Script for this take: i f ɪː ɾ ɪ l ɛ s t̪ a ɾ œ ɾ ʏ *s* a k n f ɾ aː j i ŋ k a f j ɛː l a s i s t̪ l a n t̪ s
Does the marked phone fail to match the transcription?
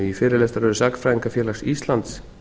no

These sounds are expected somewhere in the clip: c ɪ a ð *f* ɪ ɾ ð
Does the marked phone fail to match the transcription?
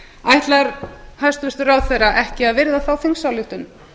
yes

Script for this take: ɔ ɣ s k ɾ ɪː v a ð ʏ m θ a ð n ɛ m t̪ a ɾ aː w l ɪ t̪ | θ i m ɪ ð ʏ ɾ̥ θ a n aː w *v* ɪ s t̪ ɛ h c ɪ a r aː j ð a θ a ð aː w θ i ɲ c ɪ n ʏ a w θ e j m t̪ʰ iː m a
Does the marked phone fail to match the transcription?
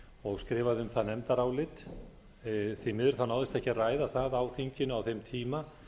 yes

